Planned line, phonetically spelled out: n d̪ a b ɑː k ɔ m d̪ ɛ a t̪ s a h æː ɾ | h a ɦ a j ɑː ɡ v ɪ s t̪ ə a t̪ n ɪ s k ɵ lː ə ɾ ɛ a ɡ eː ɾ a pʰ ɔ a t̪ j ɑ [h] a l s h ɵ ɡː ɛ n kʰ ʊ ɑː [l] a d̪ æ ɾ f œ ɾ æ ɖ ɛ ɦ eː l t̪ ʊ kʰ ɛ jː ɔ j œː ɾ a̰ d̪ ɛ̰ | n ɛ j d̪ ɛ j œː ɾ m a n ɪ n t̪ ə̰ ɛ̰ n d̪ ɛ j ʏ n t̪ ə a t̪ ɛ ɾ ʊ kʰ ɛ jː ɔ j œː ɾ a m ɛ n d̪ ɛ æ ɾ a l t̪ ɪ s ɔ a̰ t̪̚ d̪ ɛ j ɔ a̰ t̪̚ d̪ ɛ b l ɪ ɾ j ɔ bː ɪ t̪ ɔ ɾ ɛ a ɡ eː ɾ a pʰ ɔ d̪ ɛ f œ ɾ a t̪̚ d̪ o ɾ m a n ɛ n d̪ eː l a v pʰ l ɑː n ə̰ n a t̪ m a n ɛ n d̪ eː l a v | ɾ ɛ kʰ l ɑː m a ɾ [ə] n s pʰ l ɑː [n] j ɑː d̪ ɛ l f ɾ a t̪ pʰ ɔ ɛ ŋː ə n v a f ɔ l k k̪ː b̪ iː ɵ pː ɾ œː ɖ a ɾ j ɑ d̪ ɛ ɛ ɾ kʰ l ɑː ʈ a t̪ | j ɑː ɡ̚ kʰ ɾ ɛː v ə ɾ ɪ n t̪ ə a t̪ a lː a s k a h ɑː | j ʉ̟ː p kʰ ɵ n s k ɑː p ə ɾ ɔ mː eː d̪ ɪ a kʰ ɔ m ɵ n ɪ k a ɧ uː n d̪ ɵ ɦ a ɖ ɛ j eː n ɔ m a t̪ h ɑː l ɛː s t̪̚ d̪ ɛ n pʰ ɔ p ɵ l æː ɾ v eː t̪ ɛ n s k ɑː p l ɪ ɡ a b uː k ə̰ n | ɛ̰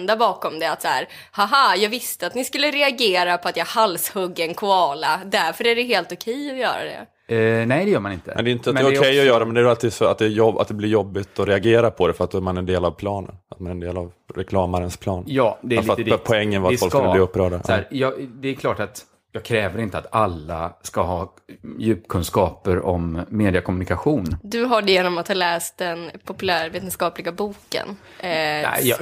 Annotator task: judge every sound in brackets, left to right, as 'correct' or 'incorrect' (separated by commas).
correct, correct, correct, correct